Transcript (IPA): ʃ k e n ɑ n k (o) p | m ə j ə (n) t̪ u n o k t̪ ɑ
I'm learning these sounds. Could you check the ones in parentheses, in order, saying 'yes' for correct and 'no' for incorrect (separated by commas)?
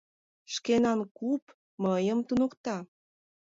no, no